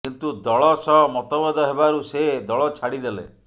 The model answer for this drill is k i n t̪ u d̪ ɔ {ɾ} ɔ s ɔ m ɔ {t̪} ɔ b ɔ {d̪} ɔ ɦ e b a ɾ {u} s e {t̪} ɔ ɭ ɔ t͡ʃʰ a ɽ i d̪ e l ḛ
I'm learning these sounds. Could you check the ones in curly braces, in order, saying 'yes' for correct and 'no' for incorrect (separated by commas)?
no, yes, yes, yes, no